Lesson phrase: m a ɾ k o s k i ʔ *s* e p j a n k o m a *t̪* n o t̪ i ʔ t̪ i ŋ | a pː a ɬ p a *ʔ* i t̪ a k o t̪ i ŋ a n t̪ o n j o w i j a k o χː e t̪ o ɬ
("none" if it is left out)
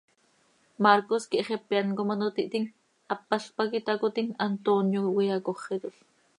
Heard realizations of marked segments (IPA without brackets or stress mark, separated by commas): χ, none, k